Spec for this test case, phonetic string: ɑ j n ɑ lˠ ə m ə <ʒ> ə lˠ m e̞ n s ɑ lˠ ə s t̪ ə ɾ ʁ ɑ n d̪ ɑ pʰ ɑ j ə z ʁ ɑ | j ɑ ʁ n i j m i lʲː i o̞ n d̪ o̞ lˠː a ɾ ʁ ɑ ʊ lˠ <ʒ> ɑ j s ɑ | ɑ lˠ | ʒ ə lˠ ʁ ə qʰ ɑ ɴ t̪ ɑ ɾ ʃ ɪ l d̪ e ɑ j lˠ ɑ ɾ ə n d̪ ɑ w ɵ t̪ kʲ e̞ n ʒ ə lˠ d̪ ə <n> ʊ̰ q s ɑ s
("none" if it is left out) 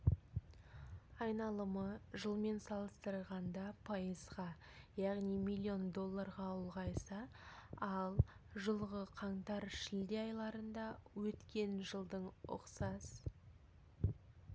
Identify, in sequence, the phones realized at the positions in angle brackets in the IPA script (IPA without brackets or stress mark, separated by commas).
ʒ, ʁ, ɴ